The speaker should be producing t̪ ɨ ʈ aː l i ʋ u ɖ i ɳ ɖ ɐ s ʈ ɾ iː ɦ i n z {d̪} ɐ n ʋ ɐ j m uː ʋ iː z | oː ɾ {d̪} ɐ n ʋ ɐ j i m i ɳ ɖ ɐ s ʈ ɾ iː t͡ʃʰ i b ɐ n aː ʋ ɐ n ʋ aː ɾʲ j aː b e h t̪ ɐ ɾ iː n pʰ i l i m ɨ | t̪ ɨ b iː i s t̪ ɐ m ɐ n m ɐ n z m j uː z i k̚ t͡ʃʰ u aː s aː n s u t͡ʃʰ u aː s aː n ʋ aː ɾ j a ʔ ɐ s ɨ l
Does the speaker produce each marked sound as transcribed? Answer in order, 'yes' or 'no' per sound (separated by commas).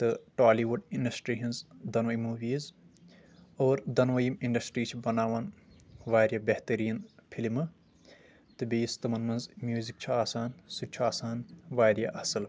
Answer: yes, yes